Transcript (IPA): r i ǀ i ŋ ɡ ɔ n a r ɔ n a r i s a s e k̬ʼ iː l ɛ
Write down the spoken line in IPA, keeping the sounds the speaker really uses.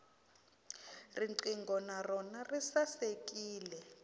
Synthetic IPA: r i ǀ i ŋ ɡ ɔ n a r ɔ n a r i s a s e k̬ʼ iː l ɛ